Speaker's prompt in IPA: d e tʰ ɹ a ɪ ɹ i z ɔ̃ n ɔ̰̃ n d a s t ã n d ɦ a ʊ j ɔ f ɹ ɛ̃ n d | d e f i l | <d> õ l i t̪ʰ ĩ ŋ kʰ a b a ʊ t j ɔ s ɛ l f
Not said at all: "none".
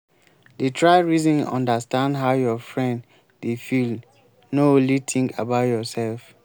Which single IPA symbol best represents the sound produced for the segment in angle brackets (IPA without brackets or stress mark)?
n